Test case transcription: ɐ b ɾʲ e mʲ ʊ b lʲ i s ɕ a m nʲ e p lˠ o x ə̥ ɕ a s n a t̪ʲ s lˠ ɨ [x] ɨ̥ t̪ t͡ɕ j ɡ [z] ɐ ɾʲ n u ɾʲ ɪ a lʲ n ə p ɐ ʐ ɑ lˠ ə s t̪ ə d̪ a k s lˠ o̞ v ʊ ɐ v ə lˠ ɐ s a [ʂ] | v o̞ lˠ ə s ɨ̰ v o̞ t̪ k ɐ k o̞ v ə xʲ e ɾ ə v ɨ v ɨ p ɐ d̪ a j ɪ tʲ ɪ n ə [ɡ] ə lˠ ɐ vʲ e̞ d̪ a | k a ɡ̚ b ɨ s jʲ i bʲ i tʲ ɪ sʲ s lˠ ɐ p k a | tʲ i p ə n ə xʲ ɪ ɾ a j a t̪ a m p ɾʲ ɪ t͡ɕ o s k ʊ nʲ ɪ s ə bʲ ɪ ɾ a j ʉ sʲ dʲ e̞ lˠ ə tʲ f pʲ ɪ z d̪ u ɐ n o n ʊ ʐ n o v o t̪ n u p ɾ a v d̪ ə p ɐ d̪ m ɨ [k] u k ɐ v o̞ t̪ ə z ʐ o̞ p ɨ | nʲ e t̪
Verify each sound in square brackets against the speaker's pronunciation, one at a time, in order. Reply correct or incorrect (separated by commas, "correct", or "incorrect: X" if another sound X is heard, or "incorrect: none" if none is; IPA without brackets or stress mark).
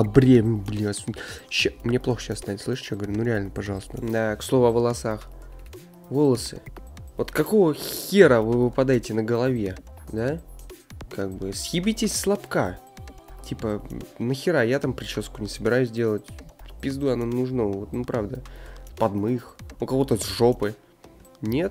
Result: incorrect: ʂ, incorrect: v, incorrect: x, correct, incorrect: x